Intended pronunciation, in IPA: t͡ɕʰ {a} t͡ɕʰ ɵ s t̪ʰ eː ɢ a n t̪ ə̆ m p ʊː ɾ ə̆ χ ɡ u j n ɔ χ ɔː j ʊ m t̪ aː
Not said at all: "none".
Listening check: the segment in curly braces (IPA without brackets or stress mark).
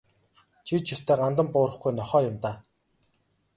i